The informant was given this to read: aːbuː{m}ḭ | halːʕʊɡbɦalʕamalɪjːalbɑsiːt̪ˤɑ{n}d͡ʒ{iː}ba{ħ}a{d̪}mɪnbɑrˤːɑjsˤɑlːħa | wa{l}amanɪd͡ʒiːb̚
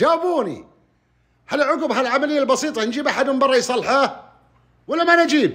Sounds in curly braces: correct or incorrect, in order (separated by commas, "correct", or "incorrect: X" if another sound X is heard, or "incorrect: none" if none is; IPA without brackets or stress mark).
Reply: incorrect: n, correct, correct, correct, correct, incorrect: lː